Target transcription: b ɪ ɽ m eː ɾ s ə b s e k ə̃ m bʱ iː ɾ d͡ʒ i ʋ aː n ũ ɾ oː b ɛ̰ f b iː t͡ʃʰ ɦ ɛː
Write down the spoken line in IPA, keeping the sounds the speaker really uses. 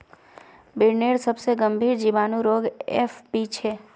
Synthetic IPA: b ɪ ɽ n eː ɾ s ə b s e ɡ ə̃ m bʱ iː ɾ d͡ʒ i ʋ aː n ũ ɾ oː ɡ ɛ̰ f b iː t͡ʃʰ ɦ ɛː